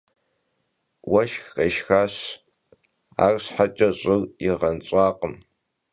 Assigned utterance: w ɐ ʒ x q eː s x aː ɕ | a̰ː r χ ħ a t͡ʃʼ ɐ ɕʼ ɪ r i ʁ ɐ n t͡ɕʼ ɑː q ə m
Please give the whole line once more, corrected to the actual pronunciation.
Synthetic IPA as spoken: w ɐ ʃ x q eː ʃ x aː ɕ | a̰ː r ɕ ħ a t͡ʃʼ ɐ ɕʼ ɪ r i ʁ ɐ n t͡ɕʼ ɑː q ə m